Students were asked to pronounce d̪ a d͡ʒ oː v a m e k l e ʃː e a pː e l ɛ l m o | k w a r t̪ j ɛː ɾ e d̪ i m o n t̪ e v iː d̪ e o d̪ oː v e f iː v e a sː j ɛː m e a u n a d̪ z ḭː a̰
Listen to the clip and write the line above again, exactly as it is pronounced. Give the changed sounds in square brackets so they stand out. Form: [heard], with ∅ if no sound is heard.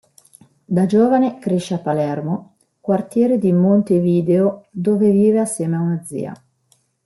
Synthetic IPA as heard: d̪ a d͡ʒ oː v a [n] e k [ɾ] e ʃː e a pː [a] l ɛ [r] m o | k w a r t̪ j ɛː ɾ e d̪ i m o n t̪ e v iː d̪ e o d̪ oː v e [v] iː v e a sː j ɛː m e a u n a d̪ z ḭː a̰